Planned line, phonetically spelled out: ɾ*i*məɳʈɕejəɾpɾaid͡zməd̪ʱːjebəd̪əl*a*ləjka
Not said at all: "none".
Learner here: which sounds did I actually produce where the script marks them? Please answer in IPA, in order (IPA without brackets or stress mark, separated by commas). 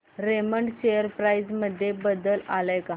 e, a